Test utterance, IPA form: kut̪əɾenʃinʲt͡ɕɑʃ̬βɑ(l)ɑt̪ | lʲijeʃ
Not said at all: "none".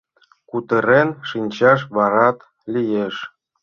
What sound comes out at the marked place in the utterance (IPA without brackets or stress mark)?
ɾ